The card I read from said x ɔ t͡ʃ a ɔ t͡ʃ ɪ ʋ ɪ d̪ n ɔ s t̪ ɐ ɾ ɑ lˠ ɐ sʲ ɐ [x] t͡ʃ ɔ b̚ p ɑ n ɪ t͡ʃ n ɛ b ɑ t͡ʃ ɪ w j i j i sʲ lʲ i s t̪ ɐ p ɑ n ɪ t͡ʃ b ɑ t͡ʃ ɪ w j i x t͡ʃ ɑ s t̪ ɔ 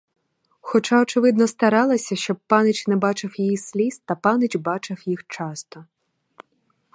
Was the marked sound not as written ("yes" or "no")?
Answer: yes